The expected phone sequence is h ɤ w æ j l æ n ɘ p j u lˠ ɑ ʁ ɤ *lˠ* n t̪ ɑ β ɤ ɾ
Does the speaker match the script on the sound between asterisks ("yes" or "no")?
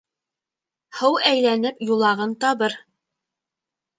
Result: no